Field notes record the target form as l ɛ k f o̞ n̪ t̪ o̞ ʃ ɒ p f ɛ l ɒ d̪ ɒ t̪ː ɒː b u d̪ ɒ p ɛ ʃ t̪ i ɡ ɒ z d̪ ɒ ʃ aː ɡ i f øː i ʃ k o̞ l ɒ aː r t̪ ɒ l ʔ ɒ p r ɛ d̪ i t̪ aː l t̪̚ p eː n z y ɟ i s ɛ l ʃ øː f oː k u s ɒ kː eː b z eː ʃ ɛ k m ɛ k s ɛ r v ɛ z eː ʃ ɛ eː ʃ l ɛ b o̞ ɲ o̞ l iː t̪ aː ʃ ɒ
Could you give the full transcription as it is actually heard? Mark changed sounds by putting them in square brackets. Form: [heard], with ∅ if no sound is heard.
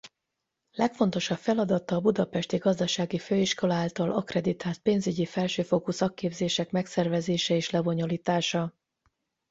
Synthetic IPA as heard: l ɛ k f o̞ n̪ t̪ o̞ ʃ ɒ p f ɛ l ɒ d̪ ɒ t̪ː ɒː b u d̪ ɒ p ɛ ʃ t̪ i ɡ ɒ z d̪ ɒ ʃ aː ɡ i f øː i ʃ k o̞ l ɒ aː [l] t̪ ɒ l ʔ ɒ [k] r ɛ d̪ i t̪ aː l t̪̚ p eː n z y ɟ i [f] ɛ l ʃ øː f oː k u s ɒ kː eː b z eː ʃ ɛ k m ɛ k s ɛ r v ɛ z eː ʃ ɛ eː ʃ l ɛ b o̞ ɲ o̞ l iː t̪ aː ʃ ɒ